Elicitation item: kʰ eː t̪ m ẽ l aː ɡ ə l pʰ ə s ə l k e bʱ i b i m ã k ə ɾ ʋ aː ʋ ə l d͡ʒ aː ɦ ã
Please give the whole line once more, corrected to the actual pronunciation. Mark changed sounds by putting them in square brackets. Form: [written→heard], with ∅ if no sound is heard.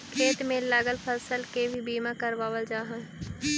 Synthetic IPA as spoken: kʰ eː t̪ m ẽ l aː ɡ ə l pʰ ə s ə l k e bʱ i b [i→iː] m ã k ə ɾ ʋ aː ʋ ə l d͡ʒ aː ɦ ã

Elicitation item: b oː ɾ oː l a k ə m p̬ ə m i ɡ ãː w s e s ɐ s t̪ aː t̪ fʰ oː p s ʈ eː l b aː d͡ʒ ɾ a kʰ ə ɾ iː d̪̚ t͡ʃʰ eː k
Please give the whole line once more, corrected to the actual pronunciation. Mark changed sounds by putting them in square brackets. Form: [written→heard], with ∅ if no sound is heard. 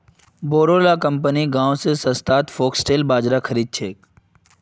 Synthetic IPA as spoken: b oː ɾ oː l a k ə m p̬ ə [m→n] i ɡ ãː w s e s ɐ s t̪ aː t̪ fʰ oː [p→k] s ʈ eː l b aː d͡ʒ ɾ a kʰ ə ɾ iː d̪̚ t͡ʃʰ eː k

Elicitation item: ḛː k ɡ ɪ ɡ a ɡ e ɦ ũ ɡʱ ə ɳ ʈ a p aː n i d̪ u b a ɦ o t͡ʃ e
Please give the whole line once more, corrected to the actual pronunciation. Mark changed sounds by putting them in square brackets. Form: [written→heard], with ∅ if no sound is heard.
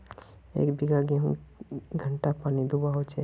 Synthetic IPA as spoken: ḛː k [ɡ→b] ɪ ɡ a ɡ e ɦ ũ ɡʱ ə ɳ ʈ a p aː n i d̪ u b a ɦ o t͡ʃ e

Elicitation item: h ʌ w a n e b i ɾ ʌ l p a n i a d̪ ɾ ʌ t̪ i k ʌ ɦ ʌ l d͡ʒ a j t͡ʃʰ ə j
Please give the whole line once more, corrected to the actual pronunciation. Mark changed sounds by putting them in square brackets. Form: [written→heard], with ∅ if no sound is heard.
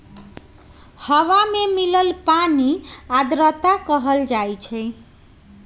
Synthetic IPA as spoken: h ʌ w a [n→m] e [b→m] i [ɾ→l] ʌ l p a n i a d̪ ɾ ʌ t̪ [i→a] k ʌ ɦ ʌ l d͡ʒ a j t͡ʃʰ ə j

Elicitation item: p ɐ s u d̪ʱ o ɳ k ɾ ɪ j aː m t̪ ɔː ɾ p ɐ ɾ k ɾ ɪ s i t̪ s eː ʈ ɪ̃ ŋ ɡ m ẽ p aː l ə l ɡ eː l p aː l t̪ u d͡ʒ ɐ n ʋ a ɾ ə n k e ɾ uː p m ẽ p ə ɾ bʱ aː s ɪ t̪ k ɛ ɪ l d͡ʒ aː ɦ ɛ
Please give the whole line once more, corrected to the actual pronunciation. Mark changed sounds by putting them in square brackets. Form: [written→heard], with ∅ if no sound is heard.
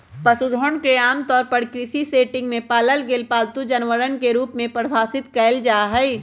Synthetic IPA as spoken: p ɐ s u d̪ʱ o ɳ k ɾ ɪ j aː m t̪ ɔː ɾ p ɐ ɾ k ɾ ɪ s i [t̪→∅] s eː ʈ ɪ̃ ŋ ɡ m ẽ p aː l ə l ɡ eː l p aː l t̪ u d͡ʒ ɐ n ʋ [a→ə] ɾ ə n k e ɾ uː p m ẽ p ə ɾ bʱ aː s ɪ t̪ k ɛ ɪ l d͡ʒ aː ɦ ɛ

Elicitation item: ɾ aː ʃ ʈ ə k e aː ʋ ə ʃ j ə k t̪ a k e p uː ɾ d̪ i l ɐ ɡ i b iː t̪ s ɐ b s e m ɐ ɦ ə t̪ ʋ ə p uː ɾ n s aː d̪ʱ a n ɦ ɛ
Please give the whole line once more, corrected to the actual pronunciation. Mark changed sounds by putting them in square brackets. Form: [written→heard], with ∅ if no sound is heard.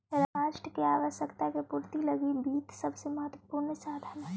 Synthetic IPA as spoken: ɾ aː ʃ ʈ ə k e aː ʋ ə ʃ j ə k t̪ a k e p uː ɾ [d̪→t̪] i l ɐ ɡ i b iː t̪ s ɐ b s e m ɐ ɦ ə t̪ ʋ ə p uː ɾ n s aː d̪ʱ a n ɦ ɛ

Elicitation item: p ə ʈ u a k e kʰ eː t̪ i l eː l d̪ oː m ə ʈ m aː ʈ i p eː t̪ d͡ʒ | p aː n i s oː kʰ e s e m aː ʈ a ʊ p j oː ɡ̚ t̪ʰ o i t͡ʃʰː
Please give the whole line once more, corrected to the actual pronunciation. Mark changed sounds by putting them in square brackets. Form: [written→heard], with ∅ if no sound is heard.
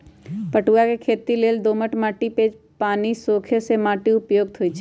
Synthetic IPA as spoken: p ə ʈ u a k e kʰ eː t̪ i l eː l d̪ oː m ə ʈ m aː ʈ i p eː [t̪→∅] d͡ʒ | p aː n i s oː kʰ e s e m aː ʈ [a→i] ʊ p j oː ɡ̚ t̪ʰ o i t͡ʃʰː

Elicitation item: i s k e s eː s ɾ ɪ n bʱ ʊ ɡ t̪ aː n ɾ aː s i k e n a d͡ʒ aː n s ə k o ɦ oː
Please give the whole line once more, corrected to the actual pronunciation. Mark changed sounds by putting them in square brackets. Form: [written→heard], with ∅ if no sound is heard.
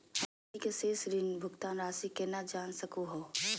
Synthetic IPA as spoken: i [s→∅] k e s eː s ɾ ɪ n bʱ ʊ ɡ t̪ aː n ɾ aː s i k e n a d͡ʒ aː n s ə k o ɦ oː

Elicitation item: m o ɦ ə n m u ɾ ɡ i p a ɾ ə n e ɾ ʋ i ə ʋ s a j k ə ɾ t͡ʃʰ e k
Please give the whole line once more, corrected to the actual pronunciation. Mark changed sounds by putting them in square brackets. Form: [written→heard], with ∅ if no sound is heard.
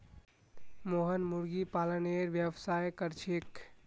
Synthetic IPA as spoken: m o ɦ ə n m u ɾ ɡ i p a [ɾ→l] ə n e ɾ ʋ [i→j] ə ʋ s a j k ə ɾ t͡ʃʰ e k

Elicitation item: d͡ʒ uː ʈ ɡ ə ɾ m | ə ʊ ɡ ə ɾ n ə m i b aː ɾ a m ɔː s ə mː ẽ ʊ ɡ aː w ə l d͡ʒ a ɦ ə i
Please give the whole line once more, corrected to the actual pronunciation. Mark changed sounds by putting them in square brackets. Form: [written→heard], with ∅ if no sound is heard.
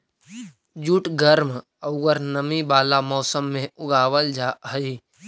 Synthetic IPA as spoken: d͡ʒ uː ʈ ɡ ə ɾ m | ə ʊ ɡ ə ɾ n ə m i b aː [ɾ→l] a m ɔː s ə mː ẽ ʊ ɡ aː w ə l d͡ʒ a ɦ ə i

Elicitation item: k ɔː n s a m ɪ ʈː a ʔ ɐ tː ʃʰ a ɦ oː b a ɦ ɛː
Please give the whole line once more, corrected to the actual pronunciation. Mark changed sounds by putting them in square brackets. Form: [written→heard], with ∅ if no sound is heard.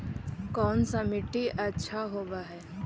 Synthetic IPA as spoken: k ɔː n s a m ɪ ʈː [a→i] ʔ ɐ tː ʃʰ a ɦ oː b a ɦ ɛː

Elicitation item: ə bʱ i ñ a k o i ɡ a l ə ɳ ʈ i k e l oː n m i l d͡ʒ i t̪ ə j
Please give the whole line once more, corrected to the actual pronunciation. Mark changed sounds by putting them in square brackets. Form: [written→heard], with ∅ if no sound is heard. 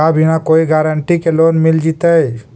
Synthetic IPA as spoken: [ə→a] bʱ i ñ a k o i ɡ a [l→ɾ] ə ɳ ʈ i k e l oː n m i l d͡ʒ i t̪ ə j

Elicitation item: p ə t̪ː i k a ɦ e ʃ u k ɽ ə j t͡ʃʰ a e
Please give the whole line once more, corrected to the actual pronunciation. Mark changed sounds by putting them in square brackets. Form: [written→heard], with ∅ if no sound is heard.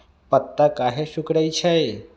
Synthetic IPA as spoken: p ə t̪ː [i→a] k a ɦ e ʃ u k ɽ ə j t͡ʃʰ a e

